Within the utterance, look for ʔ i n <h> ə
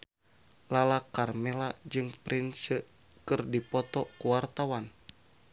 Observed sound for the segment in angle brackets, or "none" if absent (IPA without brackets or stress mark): s